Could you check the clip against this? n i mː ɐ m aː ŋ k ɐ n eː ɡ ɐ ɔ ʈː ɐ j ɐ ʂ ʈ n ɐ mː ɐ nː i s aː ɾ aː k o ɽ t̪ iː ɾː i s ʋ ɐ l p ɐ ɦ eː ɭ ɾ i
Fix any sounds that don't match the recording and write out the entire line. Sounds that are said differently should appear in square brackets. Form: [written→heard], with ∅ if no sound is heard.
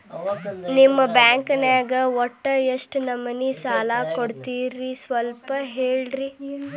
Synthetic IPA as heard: n i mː ɐ [m→b] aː ŋ k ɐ n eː ɡ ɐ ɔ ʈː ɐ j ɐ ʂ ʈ n ɐ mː ɐ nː i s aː [ɾ→l] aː k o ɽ t̪ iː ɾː i s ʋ ɐ l p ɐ ɦ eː ɭ ɾ i